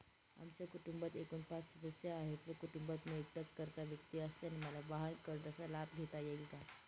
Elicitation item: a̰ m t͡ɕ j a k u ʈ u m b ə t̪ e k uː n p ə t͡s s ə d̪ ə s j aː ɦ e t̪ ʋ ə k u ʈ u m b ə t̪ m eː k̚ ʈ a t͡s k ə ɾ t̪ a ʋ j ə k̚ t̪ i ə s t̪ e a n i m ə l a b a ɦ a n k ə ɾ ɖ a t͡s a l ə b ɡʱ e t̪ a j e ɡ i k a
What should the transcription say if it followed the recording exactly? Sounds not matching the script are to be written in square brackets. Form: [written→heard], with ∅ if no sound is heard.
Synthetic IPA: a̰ m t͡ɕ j a k u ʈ u m b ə t̪ e k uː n p [ə→a] t͡s s ə d̪ ə s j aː ɦ e t̪ ʋ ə k u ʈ u m b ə t̪ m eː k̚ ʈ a t͡s k ə ɾ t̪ a ʋ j ə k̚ t̪ i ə s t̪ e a n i m ə l a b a ɦ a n k ə ɾ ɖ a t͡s a l [ə→a] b ɡʱ e t̪ a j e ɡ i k a

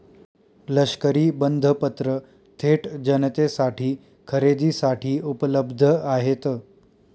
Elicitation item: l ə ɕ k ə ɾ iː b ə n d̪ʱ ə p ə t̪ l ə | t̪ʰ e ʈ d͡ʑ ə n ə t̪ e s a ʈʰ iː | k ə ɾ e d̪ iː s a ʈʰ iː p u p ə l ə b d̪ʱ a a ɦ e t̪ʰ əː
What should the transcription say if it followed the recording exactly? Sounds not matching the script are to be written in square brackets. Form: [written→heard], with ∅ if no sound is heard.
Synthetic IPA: l ə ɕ k ə ɾ iː b ə n d̪ʱ ə p ə t̪ [l→ɾ] ə | t̪ʰ e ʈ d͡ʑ ə n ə t̪ e s a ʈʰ iː | [k→kʰ] ə ɾ e d̪ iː s a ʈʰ iː [p→∅] u p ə l ə b d̪ʱ [a→ə] a ɦ e [t̪ʰ→t̪] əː

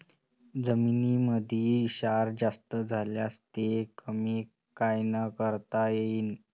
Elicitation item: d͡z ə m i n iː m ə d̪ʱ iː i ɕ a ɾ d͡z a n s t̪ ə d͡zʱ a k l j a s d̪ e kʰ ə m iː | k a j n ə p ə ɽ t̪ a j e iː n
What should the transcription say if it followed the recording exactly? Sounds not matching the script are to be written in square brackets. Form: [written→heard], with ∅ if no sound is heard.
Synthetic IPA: d͡z ə m i n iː m ə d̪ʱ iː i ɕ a ɾ d͡z a [n→∅] s t̪ ə d͡zʱ a [k→∅] l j a s [d̪→t̪] e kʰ ə m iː | k a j n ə [p→k] ə [ɽ→ɾ] t̪ a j e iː n

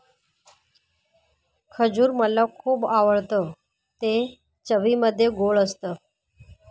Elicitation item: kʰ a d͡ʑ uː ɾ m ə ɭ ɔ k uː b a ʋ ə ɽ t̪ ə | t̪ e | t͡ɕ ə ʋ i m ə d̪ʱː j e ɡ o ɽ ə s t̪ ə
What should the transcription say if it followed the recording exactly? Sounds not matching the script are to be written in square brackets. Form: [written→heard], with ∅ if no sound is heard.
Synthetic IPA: kʰ [a→ə] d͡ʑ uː ɾ m ə [ɭ→l] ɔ [k→kʰ] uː b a ʋ ə [ɽ→ɭ] t̪ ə | t̪ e | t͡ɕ ə ʋ i m ə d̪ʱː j e ɡ o [ɽ→ɭ] ə s t̪ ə

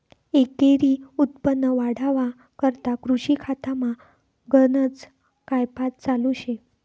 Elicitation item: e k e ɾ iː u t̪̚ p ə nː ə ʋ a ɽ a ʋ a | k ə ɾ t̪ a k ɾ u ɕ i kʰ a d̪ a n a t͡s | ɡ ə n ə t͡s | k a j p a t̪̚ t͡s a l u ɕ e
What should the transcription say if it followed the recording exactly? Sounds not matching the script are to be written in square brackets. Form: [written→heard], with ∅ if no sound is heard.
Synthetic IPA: e k e ɾ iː u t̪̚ p ə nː ə ʋ a ɽ a ʋ a | k ə ɾ t̪ a k ɾ u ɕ i kʰ a [d̪→t̪] a [n→m] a [t͡s→∅] | ɡ ə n ə t͡s | k a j p a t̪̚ t͡s a l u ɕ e

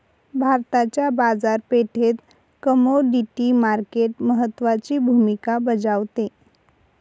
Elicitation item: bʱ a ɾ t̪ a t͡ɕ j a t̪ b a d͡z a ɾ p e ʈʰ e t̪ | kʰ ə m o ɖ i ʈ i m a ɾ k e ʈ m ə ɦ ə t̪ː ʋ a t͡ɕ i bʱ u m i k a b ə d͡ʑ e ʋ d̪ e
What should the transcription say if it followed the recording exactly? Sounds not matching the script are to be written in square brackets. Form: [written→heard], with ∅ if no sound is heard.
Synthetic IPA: bʱ a ɾ t̪ a t͡ɕ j a [t̪→∅] b a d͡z a ɾ p e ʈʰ e t̪ | [kʰ→k] ə m o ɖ i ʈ i m a ɾ k e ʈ m ə ɦ ə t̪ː ʋ a t͡ɕ i bʱ u m i k a b ə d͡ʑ [e→a] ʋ [d̪→t̪] e

